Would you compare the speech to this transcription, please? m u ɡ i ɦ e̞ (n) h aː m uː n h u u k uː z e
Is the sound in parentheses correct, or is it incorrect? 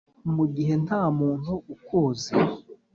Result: correct